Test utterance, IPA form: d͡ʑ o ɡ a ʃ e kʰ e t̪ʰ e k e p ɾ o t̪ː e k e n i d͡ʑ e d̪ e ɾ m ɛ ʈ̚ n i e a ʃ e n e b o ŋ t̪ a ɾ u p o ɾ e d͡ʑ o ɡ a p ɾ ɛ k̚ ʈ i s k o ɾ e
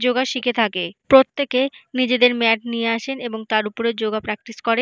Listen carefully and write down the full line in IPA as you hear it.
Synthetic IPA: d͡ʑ o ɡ a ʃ i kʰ e t̪ʰ a k e p ɾ o t̪ː e k e n i d͡ʑ e d̪ e ɾ m ɛ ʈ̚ n i e a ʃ e n e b o ŋ t̪ a ɾ u p o ɾ e d͡ʑ o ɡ a p ɾ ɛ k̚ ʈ i s k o ɾ e